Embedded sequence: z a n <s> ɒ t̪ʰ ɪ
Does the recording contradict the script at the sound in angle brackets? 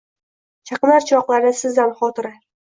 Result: yes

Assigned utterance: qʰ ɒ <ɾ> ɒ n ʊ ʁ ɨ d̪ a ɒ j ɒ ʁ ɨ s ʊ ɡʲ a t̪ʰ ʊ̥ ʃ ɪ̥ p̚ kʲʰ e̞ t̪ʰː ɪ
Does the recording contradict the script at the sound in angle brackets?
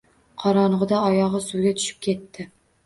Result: no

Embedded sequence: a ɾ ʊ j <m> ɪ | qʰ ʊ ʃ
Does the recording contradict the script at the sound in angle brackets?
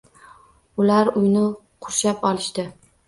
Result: yes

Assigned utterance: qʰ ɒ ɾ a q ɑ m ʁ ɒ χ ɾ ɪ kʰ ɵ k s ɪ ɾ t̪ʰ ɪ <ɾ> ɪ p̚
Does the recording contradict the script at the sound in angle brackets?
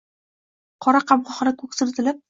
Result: yes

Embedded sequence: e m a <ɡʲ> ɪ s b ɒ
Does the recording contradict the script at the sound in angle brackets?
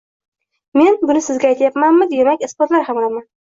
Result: yes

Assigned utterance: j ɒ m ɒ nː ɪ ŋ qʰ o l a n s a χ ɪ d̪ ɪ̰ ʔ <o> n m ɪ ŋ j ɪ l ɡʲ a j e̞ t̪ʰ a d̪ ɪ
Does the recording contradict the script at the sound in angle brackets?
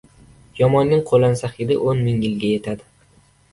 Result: no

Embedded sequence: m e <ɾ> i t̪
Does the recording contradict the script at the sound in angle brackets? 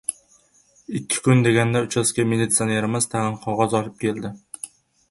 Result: yes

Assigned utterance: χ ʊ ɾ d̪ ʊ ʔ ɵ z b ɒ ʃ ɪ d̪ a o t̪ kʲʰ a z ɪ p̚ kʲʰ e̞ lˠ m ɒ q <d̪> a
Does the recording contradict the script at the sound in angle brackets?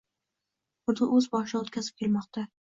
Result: yes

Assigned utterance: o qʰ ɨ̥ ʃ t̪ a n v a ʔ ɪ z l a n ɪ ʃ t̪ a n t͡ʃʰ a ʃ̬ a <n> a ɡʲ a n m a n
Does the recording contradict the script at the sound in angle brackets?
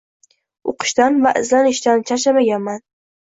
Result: yes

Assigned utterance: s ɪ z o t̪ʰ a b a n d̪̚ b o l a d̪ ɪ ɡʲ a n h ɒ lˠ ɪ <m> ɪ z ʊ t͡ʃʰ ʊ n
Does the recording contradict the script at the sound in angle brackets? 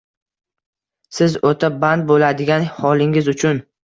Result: yes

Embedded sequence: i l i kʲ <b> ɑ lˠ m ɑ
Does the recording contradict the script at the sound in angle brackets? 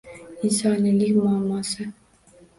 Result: yes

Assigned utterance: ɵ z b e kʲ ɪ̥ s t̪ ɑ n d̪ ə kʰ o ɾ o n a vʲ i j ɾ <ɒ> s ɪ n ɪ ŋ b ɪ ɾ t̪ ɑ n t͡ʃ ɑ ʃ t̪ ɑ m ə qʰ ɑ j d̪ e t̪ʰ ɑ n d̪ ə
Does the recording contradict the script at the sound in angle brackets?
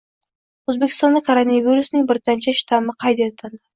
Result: yes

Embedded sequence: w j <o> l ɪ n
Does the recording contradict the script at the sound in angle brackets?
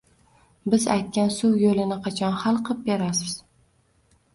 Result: no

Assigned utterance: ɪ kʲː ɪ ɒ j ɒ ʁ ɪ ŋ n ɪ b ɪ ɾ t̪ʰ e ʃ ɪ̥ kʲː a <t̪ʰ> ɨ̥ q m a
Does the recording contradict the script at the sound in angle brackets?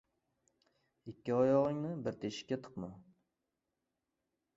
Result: no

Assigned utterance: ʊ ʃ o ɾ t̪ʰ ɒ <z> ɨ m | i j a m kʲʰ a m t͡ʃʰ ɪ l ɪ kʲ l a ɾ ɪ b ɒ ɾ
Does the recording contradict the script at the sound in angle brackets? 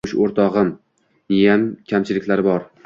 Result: yes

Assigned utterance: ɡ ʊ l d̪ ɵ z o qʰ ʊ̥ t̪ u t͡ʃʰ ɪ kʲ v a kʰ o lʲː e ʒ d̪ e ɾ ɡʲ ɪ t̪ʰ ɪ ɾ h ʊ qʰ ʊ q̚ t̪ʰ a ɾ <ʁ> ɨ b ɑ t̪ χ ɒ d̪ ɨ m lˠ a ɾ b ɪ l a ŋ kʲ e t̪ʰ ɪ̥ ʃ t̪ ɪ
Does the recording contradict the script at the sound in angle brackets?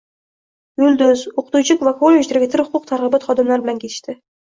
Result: no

